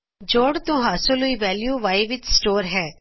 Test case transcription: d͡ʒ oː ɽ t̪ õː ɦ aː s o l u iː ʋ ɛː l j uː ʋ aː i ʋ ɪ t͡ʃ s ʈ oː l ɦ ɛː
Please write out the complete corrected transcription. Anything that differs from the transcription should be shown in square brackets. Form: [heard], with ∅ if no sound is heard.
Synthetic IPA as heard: d͡ʒ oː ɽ t̪ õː ɦ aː s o l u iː ʋ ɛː l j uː ʋ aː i ʋ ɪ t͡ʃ s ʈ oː [ɾ] ɦ ɛː